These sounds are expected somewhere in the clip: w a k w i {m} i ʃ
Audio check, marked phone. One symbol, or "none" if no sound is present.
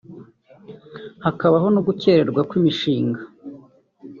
m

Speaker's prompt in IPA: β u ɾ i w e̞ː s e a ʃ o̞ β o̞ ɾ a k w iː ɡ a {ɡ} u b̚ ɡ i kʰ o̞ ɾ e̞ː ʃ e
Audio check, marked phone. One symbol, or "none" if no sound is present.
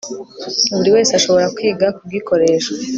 k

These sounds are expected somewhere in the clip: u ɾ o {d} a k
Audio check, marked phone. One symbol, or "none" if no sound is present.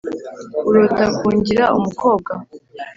t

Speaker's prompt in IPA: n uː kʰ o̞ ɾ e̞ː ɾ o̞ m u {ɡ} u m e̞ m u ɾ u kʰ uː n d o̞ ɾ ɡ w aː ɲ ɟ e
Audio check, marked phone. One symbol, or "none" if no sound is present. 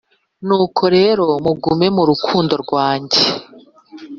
ɡ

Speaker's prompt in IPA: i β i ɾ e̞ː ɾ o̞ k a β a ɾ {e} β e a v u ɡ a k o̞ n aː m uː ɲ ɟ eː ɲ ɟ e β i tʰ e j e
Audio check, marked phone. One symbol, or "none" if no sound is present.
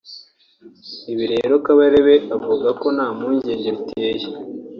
e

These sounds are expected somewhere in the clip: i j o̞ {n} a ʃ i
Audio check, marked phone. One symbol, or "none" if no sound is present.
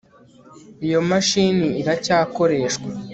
m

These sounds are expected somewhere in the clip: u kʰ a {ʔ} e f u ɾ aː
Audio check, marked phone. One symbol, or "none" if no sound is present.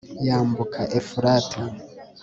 ʔ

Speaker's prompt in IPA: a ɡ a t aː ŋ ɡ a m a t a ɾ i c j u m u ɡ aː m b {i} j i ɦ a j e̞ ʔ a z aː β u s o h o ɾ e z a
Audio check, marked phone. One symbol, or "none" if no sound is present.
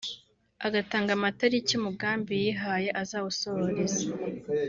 i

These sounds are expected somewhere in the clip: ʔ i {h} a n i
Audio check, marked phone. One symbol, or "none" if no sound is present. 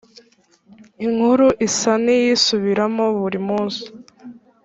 s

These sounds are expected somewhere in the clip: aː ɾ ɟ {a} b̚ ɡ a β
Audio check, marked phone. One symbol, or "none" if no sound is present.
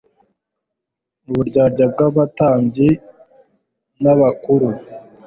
a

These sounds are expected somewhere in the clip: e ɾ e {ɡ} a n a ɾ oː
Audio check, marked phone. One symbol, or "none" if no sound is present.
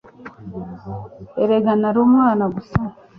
ɡ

